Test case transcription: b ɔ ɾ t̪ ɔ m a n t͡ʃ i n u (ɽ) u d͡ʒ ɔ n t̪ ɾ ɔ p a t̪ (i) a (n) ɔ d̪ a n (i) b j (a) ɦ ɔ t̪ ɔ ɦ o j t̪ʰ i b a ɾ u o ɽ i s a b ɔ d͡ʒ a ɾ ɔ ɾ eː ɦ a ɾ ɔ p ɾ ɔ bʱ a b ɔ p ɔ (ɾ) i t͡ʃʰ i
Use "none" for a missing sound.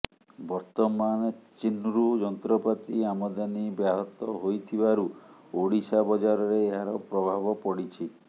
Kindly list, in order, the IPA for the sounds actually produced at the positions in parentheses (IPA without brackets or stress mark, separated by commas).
ɾ, i, m, i, a, ɽ